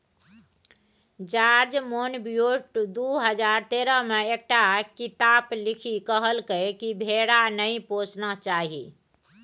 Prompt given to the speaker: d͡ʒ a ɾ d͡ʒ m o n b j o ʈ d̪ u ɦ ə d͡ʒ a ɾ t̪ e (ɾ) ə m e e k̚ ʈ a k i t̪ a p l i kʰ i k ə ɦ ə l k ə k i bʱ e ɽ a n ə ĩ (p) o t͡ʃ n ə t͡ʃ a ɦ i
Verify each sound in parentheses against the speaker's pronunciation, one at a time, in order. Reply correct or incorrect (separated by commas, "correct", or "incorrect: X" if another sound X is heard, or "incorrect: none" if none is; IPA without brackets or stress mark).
correct, correct